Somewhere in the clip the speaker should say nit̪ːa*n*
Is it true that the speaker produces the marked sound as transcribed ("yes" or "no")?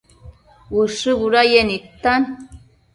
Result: yes